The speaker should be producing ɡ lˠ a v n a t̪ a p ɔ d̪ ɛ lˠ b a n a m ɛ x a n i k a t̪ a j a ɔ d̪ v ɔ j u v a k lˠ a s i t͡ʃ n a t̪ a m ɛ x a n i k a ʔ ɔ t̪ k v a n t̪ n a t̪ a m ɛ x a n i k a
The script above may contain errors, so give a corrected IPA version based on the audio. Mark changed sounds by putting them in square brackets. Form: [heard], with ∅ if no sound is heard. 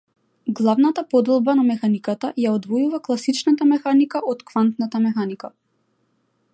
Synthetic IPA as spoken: ɡ lˠ a v n a t̪ a p ɔ d̪ ɛ lˠ b a n a m ɛ x a n i k a t̪ a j a ɔ d̪ v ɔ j u v a k lˠ a s i t͡ʃ n a t̪ a m ɛ x a n i k a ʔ ɔ t̪ k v a n t̪ n a t̪ a m ɛ x a n i k a